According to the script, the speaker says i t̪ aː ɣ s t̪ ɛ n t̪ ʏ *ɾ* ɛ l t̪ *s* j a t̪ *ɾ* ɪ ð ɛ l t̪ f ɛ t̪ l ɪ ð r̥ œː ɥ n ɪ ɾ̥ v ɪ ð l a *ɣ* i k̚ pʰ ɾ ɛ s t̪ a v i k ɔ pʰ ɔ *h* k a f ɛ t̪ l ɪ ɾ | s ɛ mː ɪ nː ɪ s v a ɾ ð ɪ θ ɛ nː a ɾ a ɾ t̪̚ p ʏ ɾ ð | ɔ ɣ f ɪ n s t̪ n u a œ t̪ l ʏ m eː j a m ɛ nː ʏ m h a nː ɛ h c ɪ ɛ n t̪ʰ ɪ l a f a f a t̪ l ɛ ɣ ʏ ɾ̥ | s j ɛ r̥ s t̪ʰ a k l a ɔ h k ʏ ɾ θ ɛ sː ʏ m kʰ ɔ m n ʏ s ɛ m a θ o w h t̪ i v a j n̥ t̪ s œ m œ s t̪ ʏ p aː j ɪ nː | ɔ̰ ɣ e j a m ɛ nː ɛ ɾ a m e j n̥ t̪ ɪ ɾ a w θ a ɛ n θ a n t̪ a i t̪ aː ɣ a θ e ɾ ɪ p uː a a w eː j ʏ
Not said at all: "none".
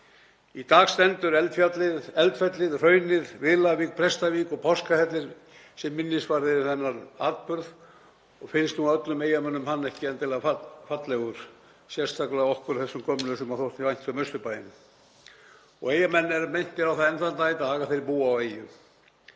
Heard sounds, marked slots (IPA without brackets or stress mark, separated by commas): ɾ, f, l, v, s